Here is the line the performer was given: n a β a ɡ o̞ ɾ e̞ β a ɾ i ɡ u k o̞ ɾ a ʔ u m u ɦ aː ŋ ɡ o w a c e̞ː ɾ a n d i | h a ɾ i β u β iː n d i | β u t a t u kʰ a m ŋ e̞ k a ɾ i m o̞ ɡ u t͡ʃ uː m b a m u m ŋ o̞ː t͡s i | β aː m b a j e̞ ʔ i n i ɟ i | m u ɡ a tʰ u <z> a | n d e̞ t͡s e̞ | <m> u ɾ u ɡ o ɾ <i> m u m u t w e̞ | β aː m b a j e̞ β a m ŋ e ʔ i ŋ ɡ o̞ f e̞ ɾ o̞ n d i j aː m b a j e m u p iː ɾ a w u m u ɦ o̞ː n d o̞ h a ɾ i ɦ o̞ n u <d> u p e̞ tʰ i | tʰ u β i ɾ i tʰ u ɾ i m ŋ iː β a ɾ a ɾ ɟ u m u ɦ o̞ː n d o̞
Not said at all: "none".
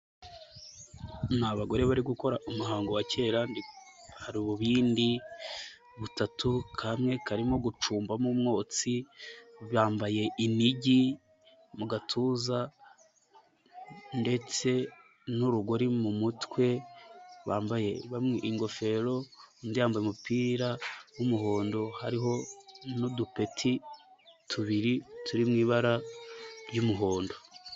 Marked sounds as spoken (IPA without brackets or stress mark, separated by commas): z, n, i, d